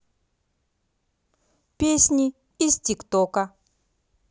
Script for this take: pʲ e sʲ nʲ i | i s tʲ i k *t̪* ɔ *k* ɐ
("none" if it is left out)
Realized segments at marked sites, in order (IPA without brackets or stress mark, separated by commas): t̪, k